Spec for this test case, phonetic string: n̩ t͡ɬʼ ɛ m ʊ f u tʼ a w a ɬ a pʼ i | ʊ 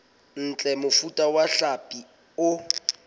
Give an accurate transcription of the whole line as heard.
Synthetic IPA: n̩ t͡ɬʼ ɛ m ʊ f u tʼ a w a ɬ a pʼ i | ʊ